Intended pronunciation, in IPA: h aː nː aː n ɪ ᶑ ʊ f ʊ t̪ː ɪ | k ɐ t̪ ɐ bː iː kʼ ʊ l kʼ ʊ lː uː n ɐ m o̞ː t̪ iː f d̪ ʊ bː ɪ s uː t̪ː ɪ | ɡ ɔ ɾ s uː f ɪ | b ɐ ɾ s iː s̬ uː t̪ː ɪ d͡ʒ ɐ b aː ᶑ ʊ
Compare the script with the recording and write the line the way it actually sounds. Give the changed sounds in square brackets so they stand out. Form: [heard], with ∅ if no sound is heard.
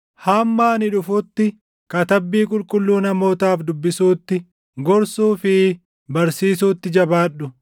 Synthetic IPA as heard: h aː [mː] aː n ɪ ᶑ ʊ f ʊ t̪ː ɪ | k ɐ t̪ ɐ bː iː kʼ ʊ l kʼ ʊ lː uː n ɐ m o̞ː t̪ [aː] f d̪ ʊ bː ɪ s uː t̪ː ɪ | ɡ ɔ ɾ s uː f ɪ | b ɐ ɾ s iː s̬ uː t̪ː ɪ d͡ʒ ɐ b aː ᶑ ʊ